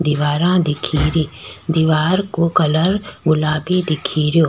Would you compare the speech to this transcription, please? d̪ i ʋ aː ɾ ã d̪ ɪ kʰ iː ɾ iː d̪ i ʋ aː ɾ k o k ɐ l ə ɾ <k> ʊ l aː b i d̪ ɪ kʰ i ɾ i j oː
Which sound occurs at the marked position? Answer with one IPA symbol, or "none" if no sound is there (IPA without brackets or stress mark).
ɡ